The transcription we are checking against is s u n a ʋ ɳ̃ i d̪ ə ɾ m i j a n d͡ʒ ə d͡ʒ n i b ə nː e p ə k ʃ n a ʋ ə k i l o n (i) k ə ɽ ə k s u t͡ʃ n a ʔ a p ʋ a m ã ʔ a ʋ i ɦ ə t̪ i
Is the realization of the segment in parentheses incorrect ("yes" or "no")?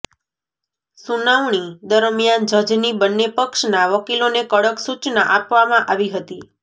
yes